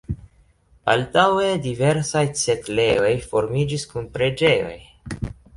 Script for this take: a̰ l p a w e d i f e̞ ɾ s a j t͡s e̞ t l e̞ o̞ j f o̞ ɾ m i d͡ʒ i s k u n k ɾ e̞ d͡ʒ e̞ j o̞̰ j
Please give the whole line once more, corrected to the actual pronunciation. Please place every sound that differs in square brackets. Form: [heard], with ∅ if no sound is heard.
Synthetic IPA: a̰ l [t] a w e d i [v] e̞ ɾ s a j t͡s e̞ t l e̞ o̞ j f o̞ ɾ m i d͡ʒ i s k u n [p] ɾ e̞ d͡ʒ e̞ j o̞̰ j